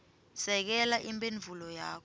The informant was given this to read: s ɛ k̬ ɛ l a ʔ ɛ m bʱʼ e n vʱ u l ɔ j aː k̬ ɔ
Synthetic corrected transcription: s ɛ k̬ ɛ l a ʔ i m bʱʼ e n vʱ u l ɔ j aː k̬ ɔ